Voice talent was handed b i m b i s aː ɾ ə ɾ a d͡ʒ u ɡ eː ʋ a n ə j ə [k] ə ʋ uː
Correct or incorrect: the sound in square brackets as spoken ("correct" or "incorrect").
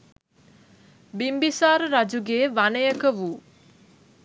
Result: correct